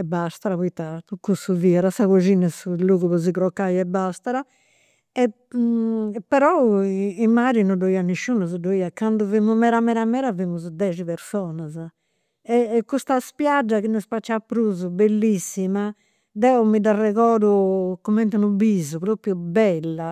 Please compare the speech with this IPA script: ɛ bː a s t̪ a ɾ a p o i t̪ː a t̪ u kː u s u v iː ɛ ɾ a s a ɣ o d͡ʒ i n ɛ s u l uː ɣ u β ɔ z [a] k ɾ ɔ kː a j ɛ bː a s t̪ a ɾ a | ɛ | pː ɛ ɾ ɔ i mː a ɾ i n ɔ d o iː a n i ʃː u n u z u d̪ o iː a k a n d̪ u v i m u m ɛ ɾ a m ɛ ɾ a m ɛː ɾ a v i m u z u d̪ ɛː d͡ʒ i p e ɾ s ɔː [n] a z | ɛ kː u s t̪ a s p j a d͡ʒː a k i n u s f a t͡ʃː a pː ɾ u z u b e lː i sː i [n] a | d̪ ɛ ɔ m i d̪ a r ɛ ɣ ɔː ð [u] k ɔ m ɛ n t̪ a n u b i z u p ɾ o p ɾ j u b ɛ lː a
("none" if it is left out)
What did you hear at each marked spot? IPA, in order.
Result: i, n, m, u

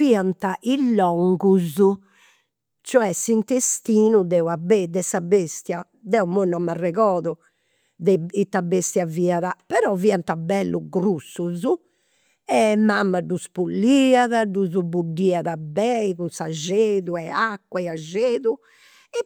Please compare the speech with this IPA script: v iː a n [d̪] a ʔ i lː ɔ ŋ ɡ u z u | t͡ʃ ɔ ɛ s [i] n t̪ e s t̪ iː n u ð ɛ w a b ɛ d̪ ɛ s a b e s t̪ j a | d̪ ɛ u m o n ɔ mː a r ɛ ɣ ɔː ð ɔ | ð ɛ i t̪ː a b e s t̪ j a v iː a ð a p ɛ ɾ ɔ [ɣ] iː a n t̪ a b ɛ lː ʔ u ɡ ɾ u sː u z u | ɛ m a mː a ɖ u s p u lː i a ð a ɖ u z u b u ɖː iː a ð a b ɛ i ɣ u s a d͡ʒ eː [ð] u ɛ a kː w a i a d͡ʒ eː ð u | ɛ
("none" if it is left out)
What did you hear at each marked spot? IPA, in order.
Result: t̪, i, v, ð

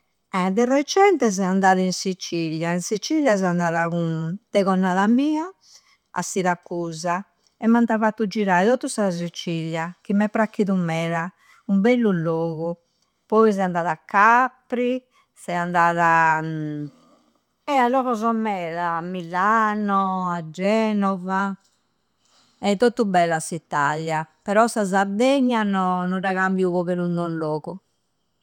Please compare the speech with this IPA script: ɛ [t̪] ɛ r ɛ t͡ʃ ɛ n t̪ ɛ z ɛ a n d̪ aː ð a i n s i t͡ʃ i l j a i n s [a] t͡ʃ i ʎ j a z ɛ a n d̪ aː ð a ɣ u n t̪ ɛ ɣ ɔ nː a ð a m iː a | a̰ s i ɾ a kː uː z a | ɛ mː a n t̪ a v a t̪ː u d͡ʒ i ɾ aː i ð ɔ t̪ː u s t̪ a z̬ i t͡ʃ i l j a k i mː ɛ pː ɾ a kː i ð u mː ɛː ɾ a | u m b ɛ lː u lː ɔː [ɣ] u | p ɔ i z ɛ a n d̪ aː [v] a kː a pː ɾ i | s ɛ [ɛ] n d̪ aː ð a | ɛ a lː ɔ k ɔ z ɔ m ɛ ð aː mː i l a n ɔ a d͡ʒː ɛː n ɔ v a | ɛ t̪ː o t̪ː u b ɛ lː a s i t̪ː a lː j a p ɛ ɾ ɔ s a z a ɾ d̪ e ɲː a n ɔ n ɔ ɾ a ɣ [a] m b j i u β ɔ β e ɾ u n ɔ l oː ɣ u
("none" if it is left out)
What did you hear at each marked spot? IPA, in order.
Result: d̪, i, ɣ, ð, a, a

